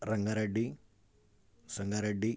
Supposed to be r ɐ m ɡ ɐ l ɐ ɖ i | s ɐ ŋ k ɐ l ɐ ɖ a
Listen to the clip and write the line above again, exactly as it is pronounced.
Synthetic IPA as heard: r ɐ ŋ ɡ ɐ ɾ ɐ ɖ i | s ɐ ŋ ɡ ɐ ɾ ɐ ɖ i